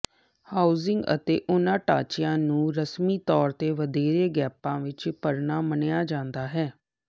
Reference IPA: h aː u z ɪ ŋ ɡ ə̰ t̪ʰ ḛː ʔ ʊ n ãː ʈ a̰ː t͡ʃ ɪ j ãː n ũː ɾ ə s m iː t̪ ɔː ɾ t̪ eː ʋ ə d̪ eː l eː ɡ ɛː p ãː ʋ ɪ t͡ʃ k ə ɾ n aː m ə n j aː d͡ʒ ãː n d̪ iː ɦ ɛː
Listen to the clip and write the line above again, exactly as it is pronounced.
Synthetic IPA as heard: h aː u z ɪ ŋ ɡ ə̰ t̪ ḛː ʔ ʊ n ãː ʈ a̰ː t͡ʃ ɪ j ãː n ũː ɾ ə s m iː t̪ ɔː ɾ t̪ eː ʋ ə d̪ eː ɾ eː ɡ ɛː p ãː ʋ ɪ t͡ʃ p ə ɾ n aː m ə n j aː d͡ʒ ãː n d̪ aː ɦ ɛː